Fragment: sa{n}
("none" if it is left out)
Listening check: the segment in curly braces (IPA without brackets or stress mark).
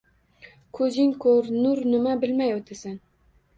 n